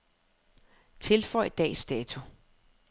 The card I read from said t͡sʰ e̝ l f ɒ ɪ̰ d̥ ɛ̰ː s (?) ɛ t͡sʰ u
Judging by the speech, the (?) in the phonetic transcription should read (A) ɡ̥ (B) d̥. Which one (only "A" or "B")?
B